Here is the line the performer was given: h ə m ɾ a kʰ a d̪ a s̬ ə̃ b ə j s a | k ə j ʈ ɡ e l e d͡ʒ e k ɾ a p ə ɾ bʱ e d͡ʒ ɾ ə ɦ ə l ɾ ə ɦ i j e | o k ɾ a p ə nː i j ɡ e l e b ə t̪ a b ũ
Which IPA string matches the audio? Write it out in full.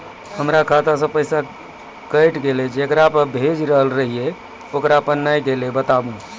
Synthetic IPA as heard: h ə m ɾ a kʰ a t̪ a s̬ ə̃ p ə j s a | k ə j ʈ ɡ e l e d͡ʒ e k ɾ a p ə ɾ bʱ e d͡ʒ ɾ ə ɦ ə l ɾ ə ɦ i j e | o k ɾ a p ə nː a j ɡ e l e b ə t̪ a b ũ